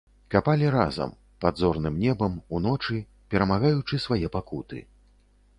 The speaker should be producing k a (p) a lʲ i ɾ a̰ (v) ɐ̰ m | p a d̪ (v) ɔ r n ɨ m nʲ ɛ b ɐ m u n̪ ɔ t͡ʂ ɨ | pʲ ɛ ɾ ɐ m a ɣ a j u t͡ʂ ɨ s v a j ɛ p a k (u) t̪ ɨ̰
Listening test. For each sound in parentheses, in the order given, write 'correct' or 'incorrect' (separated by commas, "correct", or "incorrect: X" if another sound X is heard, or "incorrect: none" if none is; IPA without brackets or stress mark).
correct, incorrect: z, incorrect: z, correct